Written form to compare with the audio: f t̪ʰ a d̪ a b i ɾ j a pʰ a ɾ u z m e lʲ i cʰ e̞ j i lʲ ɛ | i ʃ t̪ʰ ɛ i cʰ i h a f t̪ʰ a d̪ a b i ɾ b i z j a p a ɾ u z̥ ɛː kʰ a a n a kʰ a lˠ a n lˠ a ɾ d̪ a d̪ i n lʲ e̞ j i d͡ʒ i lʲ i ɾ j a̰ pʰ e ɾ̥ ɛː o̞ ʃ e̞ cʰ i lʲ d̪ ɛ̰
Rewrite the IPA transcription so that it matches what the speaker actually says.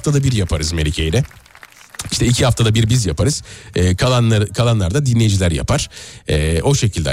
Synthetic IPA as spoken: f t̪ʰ a d̪ a b i ɾ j a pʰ a ɾ ɯ z m e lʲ i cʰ e̞ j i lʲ ɛ | i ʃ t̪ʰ ɛ i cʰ i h a f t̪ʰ a d̪ a b i ɾ b i z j a p a ɾ ɯ z̥ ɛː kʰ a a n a kʰ a lˠ a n lˠ a ɾ d̪ a d̪ i n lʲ e̞ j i d͡ʒ i lʲ æ ɾ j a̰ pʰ a ɾ̥ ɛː o̞ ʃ e̞ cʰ i lʲ d̪ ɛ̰